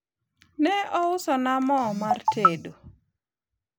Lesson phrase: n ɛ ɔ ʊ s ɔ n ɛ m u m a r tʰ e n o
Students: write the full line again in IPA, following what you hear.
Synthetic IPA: n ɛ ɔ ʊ s ɔ n a m ɔ m a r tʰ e d o